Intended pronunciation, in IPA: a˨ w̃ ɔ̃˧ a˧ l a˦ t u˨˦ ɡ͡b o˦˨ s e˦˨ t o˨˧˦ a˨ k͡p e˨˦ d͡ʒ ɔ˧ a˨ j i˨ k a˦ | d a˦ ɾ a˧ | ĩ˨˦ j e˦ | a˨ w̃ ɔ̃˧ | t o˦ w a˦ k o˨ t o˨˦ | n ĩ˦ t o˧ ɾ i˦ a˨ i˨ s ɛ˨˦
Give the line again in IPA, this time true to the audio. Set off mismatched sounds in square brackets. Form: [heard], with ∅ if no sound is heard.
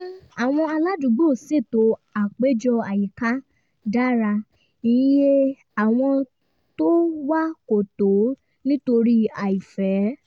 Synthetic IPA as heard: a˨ w̃ ɔ̃˧ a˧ l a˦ [d] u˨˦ ɡ͡b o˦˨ s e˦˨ t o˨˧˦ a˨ k͡p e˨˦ d͡ʒ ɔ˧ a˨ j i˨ k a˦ | d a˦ ɾ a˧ | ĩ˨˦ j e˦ | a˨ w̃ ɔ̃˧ | t o˦ w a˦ k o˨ t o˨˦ | n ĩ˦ t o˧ ɾ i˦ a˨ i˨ [f] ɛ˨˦